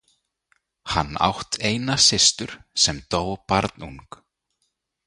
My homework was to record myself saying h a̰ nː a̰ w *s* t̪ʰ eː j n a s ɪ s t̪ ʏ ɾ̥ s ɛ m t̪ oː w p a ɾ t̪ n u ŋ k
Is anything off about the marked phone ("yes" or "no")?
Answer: yes